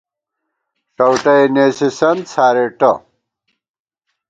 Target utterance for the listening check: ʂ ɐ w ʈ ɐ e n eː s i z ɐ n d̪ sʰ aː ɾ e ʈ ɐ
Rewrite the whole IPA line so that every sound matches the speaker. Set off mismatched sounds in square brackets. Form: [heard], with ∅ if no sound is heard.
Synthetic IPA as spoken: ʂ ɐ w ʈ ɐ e n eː s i [s] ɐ n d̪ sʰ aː ɾ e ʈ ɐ